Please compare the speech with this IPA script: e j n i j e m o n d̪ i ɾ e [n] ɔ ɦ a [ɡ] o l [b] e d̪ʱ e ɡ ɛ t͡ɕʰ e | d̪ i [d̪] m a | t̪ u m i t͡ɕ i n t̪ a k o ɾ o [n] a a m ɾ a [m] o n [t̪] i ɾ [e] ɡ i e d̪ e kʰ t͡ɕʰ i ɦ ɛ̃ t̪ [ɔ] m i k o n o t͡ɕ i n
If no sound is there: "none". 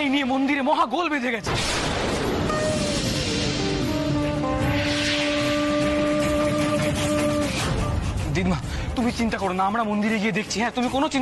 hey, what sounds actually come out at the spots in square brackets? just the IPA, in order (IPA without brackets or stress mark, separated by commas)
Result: m, ɡ, b, d̪, n, m, d̪, e, u